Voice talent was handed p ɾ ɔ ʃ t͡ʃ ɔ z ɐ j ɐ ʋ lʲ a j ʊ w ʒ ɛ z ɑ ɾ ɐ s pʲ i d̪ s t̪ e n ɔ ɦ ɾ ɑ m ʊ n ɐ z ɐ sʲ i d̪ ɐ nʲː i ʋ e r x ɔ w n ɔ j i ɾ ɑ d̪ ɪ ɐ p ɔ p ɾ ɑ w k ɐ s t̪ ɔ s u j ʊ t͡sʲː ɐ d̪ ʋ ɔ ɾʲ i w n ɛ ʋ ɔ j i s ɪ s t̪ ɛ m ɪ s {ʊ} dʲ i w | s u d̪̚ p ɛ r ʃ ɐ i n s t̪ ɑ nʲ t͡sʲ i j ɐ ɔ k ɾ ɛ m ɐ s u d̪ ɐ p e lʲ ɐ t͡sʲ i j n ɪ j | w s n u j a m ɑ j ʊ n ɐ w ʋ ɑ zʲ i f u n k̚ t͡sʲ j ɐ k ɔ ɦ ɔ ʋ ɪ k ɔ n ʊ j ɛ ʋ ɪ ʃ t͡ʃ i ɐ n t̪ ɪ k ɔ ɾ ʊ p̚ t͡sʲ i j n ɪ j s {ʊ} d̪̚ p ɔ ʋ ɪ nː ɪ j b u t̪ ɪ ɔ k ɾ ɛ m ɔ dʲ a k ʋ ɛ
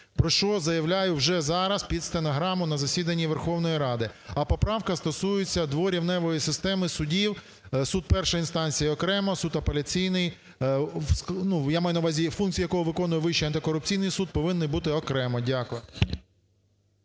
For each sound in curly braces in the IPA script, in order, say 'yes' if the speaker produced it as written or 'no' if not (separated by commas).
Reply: yes, no